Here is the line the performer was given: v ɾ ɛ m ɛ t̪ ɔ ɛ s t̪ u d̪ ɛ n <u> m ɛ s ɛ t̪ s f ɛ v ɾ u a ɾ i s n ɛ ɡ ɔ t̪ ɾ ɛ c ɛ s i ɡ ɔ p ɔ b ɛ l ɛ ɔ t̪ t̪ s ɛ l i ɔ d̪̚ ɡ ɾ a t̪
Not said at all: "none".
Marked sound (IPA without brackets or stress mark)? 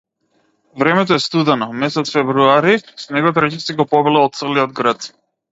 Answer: ɔ